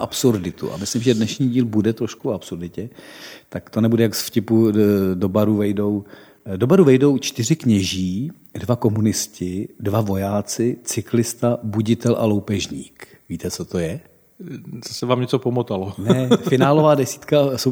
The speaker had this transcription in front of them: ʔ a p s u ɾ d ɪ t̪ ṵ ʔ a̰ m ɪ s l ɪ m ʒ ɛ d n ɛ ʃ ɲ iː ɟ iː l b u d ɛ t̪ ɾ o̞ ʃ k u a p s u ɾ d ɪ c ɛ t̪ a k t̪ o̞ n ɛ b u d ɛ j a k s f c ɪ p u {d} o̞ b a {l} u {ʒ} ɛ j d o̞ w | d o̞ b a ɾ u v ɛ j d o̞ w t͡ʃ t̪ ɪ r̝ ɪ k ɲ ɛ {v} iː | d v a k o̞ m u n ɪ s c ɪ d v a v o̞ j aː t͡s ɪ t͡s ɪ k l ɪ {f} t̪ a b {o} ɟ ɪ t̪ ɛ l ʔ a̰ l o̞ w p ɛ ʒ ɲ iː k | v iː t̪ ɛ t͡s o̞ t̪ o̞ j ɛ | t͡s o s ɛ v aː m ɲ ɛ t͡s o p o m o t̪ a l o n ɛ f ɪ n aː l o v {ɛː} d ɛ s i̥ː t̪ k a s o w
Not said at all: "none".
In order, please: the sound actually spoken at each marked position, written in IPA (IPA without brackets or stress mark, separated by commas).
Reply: d, ɾ, v, ʒ, s, u, aː